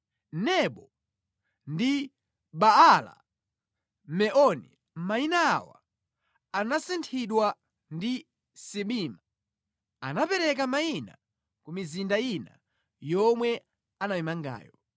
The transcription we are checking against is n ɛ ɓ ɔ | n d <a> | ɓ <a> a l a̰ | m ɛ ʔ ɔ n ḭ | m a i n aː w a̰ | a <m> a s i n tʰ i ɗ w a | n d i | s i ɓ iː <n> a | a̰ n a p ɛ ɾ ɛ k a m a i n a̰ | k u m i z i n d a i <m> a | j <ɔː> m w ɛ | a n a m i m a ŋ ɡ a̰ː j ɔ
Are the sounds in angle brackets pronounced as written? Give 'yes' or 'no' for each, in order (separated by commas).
no, yes, no, no, no, no